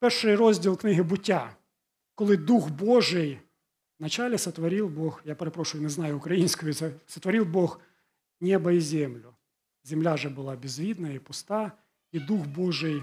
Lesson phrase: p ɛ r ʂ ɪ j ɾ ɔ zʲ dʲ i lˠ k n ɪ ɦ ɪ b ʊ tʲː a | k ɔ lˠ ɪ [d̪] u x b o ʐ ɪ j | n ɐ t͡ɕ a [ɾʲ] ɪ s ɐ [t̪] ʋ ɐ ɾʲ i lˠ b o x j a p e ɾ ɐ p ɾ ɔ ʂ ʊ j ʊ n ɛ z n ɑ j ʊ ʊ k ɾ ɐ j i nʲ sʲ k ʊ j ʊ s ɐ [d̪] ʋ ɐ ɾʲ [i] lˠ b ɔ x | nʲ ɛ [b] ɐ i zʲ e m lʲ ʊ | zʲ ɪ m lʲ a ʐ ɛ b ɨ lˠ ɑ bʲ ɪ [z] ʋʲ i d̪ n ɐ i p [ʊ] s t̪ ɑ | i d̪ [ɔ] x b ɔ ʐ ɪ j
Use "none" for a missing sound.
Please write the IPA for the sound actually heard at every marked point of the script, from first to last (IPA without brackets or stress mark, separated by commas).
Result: d̪, lʲ, t̪, t̪, i, b, z, ʊ, u